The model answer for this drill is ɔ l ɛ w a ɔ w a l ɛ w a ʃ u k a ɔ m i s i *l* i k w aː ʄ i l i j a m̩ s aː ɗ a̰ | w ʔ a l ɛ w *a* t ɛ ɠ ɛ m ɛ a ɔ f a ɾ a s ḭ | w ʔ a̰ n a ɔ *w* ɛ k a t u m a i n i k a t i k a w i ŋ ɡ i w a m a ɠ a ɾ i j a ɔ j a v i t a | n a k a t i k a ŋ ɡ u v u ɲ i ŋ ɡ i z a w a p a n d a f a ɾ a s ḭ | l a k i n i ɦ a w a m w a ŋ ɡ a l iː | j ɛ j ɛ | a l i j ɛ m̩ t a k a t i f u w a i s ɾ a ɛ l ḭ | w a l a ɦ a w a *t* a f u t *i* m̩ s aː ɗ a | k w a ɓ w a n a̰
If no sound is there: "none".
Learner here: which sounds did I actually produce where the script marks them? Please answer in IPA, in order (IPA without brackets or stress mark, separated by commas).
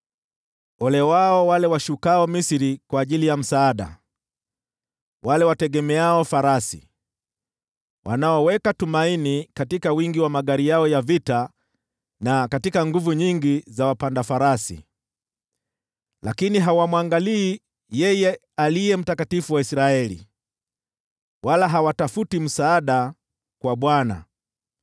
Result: ɾ, a, w, t, i